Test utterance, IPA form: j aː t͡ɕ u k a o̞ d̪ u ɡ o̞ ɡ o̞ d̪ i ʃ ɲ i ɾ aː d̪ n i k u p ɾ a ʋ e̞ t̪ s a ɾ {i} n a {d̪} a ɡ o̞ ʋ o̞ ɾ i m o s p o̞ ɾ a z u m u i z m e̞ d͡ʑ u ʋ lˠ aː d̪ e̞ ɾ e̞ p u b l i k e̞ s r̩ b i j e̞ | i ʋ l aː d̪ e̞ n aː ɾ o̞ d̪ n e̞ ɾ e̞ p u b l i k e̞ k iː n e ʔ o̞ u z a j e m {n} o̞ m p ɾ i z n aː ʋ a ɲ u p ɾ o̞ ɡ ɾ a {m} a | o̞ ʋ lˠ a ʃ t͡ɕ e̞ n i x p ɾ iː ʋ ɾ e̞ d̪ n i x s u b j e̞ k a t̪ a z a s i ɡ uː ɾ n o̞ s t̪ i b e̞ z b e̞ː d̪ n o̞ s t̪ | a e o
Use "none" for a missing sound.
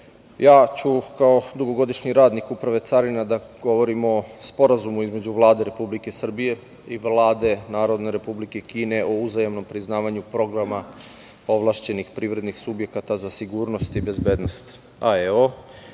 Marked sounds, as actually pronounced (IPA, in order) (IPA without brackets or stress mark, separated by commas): i, d̪, n, m